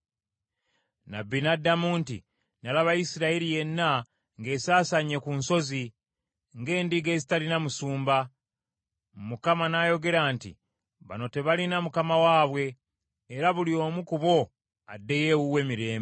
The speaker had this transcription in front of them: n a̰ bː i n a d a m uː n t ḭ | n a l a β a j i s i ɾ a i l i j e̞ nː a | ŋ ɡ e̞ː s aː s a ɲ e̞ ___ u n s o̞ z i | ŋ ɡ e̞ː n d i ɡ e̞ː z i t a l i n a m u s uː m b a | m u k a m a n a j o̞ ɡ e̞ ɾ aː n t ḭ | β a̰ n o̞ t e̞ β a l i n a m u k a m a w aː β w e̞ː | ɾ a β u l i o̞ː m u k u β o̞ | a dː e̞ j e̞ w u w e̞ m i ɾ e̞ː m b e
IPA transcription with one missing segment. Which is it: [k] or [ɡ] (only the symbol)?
k